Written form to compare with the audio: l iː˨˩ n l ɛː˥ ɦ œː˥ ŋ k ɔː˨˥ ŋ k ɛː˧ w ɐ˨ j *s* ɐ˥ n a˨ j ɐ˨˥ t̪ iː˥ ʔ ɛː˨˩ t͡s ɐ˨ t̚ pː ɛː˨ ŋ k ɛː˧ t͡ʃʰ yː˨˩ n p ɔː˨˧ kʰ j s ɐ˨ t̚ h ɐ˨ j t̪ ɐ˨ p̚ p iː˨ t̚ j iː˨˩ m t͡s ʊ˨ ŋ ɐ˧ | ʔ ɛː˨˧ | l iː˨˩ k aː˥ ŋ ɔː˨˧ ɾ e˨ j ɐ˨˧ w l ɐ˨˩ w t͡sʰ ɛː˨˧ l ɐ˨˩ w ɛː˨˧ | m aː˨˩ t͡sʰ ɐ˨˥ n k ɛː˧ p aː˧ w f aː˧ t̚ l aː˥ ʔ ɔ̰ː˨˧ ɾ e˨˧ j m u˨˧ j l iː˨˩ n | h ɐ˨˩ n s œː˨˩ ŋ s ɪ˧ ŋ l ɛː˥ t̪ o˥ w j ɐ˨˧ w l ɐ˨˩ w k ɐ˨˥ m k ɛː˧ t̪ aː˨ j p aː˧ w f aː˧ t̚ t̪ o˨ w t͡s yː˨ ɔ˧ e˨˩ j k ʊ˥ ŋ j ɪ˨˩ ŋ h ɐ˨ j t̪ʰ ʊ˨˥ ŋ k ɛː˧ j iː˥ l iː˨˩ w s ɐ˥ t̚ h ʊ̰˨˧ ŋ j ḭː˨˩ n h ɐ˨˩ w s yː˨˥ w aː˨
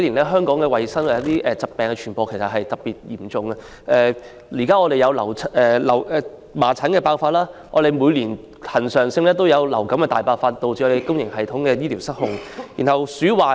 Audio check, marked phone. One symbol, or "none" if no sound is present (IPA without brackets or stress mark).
s